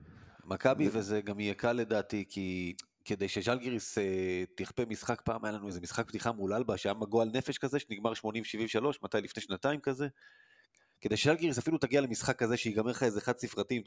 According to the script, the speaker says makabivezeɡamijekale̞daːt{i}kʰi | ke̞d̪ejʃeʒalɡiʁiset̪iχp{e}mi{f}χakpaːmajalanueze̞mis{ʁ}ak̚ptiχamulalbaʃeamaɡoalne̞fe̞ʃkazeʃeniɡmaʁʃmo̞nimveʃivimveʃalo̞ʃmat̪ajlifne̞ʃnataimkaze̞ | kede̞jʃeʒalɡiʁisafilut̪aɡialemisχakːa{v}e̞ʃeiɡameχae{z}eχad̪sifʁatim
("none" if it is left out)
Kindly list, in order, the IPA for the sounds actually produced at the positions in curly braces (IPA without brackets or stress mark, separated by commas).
i, e, s, χ, z, z